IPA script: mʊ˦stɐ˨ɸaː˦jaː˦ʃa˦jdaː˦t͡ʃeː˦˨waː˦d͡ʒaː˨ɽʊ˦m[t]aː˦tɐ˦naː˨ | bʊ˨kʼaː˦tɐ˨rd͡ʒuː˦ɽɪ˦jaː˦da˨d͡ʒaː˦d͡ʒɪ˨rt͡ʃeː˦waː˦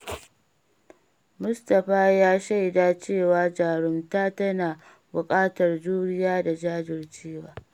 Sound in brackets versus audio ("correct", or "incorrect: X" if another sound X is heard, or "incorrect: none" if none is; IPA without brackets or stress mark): correct